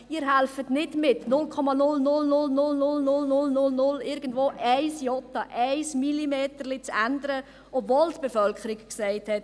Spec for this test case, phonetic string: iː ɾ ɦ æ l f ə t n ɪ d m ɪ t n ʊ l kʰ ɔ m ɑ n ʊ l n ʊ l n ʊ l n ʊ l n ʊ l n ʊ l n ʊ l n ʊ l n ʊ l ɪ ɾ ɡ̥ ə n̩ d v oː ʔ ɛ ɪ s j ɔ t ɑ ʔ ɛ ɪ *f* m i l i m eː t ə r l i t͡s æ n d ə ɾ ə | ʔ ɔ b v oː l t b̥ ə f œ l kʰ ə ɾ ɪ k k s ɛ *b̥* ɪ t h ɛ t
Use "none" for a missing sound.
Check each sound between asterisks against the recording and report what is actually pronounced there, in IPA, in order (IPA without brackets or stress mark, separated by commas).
s, none